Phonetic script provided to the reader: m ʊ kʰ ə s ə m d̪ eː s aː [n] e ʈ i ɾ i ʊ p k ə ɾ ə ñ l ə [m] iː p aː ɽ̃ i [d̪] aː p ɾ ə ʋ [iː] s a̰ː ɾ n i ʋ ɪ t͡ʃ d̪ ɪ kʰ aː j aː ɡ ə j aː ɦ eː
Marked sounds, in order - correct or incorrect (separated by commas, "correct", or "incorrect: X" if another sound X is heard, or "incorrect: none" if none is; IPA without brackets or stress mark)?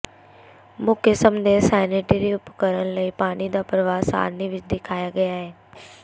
correct, incorrect: none, correct, incorrect: aː